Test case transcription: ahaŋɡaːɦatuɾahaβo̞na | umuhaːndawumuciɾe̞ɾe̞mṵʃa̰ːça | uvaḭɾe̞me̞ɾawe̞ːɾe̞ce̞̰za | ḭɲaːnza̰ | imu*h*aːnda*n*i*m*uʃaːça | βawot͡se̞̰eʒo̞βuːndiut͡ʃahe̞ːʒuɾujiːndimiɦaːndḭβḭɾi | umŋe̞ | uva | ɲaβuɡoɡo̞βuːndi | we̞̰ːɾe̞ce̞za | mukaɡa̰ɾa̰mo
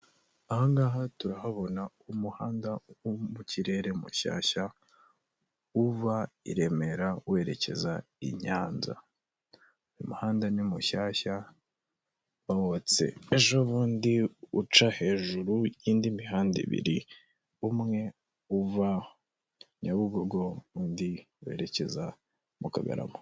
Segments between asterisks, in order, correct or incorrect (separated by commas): correct, correct, correct